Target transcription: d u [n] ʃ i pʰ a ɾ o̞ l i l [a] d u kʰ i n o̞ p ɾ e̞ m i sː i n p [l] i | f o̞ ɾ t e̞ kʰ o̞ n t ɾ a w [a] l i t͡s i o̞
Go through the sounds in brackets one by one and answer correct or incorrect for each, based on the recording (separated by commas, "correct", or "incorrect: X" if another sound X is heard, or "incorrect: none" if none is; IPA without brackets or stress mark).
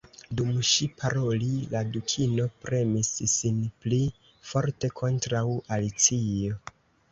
incorrect: m, correct, correct, correct